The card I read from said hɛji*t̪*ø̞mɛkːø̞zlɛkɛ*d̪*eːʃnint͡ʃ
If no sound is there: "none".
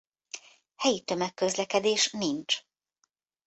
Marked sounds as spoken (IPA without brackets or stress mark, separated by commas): t̪, d̪